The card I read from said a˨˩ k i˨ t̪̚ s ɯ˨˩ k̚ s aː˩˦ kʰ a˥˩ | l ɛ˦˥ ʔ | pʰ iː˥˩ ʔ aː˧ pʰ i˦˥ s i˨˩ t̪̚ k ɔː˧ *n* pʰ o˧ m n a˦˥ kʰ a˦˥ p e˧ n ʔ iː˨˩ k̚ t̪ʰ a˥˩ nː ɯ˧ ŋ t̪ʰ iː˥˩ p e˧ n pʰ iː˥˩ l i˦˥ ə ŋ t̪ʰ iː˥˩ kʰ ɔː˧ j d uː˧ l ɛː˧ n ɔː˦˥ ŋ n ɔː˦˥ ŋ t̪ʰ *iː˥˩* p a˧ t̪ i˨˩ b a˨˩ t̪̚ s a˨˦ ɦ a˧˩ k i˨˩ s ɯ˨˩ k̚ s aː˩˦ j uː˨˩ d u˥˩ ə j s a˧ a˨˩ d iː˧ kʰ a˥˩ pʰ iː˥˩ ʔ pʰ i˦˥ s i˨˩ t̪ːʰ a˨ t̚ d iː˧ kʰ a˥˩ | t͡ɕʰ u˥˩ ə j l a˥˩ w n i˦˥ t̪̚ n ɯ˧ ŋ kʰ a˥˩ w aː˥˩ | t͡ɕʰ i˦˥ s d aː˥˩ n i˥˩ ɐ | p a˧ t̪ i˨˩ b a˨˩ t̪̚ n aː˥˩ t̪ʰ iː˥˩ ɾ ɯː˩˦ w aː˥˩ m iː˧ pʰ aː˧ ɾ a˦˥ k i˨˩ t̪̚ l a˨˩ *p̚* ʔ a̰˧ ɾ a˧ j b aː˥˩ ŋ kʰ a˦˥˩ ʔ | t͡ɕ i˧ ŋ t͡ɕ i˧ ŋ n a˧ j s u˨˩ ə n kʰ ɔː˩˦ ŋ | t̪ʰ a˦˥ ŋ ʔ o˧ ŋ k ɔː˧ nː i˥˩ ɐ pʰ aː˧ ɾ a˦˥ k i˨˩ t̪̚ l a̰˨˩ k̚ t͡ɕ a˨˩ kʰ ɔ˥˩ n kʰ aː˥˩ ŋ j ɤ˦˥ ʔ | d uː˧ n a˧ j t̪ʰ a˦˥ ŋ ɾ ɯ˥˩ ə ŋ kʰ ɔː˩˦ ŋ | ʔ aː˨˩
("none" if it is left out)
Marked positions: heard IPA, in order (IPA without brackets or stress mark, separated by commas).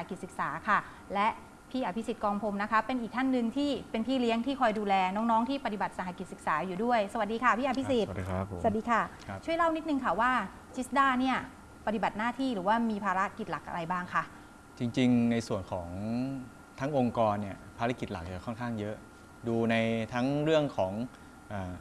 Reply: ŋ, iː˥˩, k̚